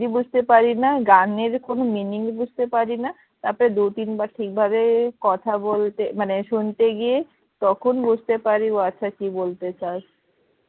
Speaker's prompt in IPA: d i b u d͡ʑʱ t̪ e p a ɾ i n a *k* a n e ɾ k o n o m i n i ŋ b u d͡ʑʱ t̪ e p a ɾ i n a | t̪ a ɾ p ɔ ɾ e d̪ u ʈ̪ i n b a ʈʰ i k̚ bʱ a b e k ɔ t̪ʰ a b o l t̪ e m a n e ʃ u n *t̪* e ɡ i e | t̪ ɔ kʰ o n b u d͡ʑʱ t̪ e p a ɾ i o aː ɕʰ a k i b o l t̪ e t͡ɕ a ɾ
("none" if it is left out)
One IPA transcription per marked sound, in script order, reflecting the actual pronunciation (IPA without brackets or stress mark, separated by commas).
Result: ɡ, t̪